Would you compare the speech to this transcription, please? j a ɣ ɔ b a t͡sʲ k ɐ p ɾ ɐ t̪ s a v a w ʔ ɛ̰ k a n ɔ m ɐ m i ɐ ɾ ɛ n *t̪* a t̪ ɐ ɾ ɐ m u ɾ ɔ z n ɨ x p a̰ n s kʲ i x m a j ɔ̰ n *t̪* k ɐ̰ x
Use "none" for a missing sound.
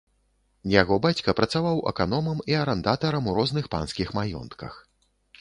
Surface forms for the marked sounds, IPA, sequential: d̪, t̪

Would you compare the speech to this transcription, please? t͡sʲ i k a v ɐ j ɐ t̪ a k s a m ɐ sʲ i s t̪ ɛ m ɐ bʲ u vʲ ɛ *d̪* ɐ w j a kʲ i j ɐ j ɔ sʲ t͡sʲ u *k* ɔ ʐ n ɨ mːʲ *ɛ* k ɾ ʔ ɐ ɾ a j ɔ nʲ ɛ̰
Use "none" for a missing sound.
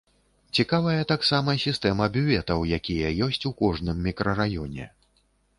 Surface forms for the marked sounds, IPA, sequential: t̪, k, i

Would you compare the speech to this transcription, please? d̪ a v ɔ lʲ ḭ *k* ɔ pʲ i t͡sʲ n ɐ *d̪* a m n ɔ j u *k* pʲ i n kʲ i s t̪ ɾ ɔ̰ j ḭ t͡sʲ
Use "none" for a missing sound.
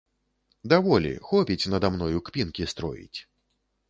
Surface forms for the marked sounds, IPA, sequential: x, d̪, k

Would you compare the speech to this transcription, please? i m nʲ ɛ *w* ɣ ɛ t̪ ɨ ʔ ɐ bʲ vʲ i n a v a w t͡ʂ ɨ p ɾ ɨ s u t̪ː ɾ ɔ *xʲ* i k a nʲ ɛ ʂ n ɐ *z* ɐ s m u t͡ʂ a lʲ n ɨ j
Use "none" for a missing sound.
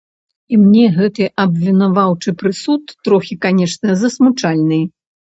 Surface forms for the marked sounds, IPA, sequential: none, xʲ, z

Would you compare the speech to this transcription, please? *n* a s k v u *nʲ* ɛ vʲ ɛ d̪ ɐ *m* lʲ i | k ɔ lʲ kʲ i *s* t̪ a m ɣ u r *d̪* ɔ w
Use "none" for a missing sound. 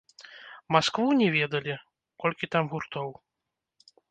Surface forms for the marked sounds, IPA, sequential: m, nʲ, none, none, t̪

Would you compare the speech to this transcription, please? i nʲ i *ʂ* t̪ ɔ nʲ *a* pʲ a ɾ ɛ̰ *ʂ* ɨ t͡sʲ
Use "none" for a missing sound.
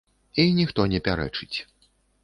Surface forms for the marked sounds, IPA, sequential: x, ɛ, t͡ʂ

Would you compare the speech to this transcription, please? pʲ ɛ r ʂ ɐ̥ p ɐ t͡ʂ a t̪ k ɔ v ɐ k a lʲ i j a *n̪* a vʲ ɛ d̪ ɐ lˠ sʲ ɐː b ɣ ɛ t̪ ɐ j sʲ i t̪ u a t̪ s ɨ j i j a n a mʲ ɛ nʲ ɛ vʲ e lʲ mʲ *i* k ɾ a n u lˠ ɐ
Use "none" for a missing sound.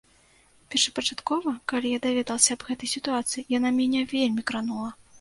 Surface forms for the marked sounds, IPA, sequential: d̪, i

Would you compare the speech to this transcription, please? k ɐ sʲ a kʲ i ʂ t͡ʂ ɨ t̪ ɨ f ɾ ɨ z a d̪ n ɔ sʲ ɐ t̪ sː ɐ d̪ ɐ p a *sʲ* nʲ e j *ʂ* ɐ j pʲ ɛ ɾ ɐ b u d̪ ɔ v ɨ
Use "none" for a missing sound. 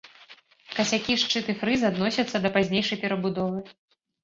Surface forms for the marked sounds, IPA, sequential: zʲ, ʂ

